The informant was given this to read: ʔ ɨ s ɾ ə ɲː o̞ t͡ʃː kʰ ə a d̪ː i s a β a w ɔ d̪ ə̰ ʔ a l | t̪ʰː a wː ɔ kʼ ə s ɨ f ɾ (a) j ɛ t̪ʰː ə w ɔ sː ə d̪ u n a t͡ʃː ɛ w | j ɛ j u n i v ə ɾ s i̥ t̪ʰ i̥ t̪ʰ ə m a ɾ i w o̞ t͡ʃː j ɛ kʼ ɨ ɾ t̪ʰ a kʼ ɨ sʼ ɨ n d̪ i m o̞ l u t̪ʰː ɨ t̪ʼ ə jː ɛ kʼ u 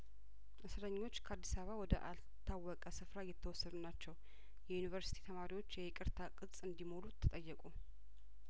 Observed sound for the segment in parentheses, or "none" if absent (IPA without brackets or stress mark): a